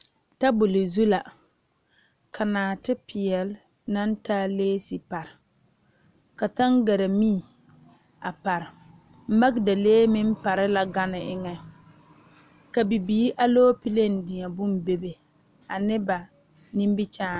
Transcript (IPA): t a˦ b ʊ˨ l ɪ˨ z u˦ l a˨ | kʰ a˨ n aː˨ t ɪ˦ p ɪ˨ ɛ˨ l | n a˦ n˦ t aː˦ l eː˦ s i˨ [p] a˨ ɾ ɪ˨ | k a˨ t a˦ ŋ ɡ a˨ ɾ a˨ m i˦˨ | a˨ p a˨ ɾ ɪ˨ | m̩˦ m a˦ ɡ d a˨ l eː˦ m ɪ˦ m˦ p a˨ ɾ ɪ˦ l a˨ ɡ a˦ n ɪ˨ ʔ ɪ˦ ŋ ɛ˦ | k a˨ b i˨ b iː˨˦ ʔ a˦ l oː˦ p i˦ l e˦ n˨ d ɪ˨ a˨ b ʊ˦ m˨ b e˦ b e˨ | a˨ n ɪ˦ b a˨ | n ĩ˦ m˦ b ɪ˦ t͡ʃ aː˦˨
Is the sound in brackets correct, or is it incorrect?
correct